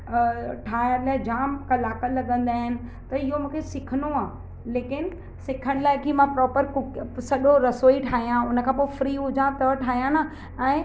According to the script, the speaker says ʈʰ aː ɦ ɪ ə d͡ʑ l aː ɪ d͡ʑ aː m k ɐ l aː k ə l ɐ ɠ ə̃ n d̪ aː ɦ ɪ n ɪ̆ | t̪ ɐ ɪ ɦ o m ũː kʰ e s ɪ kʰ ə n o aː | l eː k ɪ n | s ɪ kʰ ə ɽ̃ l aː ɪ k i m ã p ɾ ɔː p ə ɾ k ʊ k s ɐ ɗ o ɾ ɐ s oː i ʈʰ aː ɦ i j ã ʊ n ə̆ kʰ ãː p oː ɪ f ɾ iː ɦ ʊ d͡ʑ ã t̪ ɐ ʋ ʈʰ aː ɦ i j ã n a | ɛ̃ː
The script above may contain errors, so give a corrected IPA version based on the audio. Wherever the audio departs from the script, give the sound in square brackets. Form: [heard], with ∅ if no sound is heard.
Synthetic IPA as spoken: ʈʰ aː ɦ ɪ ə [∅] l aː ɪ d͡ʑ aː m k ɐ l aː k ə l ɐ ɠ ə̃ n d̪ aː ɦ ɪ n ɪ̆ | t̪ ɐ ɪ ɦ o m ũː kʰ e s ɪ kʰ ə n o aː | l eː k ɪ n | s ɪ kʰ ə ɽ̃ l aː ɪ k i m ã p ɾ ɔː p ə ɾ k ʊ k s ɐ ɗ o ɾ ɐ s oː i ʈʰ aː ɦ i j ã ʊ n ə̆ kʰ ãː p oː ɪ f ɾ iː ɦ ʊ d͡ʑ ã t̪ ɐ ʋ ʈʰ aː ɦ i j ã n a | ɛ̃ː